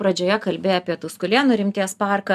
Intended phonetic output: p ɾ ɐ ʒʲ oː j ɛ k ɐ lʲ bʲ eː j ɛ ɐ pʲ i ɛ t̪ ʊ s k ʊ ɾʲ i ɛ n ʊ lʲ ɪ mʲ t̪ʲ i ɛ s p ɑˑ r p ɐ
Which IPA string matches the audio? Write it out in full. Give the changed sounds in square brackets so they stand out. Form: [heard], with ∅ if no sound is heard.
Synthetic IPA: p ɾ ɐ [d͡ʒʲ] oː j ɛ k ɐ lʲ bʲ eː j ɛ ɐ pʲ i ɛ t̪ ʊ s k ʊ [lʲ] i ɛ n ʊ [ɾʲ] ɪ mʲ t̪ʲ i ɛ s p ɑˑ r [k] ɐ